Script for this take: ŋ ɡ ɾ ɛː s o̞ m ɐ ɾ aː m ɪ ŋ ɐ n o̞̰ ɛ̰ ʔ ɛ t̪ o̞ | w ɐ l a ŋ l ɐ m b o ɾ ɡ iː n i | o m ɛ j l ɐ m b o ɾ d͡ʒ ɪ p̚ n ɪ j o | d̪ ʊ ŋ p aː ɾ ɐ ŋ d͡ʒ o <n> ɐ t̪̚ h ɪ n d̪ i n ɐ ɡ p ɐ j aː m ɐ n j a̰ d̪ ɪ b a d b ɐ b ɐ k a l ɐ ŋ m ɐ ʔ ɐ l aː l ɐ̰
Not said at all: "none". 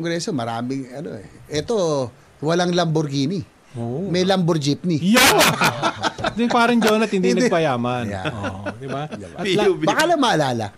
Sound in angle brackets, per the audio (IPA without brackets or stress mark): n